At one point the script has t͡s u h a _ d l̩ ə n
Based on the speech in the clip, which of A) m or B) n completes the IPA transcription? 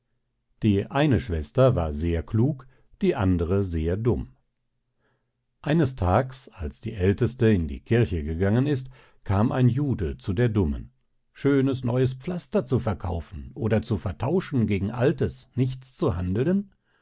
B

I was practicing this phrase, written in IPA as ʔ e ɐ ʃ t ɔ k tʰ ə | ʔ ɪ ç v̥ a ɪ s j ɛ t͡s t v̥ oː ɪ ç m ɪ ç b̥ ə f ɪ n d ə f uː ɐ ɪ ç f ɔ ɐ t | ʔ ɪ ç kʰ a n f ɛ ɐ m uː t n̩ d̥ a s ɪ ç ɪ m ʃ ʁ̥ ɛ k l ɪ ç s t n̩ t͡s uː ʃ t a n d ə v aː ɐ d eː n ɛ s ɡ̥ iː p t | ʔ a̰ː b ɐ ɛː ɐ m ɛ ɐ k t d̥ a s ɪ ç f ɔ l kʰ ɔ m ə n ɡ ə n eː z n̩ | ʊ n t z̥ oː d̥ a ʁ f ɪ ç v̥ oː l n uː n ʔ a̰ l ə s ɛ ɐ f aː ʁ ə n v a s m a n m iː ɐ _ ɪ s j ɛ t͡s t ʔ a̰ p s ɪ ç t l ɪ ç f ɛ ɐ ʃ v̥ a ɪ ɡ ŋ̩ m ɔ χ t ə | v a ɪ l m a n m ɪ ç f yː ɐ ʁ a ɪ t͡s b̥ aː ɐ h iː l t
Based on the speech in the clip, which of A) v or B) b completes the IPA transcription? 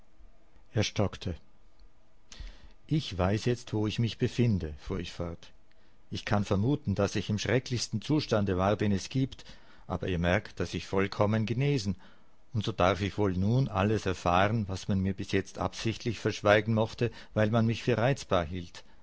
B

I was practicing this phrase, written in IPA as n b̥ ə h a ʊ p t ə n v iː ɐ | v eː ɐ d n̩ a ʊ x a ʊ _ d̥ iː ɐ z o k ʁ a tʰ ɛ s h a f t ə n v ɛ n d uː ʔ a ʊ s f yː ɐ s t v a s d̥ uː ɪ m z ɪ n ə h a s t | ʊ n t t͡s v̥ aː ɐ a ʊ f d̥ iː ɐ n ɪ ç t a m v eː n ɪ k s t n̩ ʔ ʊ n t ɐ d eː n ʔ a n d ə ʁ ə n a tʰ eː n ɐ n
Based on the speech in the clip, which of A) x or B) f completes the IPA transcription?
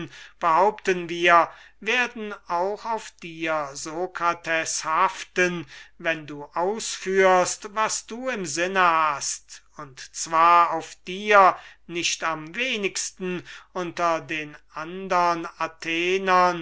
B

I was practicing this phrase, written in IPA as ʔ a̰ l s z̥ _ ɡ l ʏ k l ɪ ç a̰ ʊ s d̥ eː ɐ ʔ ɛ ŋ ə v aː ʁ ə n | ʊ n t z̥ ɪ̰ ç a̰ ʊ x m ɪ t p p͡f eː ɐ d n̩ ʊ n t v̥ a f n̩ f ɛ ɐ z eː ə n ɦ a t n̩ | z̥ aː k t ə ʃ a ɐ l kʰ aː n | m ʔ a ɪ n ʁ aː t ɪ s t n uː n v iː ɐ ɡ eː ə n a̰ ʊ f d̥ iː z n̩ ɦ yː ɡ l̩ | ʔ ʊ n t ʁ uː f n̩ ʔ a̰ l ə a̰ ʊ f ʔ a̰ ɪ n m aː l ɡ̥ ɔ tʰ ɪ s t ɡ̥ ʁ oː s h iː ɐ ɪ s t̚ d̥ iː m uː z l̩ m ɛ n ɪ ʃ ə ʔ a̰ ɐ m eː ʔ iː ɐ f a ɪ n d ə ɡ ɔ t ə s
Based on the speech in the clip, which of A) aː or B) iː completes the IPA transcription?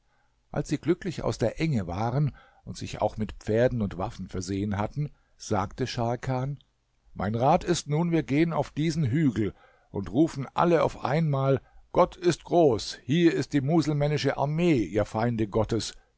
B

